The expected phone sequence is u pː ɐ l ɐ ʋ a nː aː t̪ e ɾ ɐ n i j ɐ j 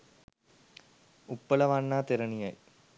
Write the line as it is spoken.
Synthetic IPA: u pː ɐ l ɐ ʋ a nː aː t̪ e ɾ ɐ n i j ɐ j